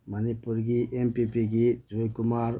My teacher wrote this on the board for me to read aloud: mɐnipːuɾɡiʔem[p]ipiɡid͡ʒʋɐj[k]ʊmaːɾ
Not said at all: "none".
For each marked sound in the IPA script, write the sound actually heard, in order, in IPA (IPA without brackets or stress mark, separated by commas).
p, k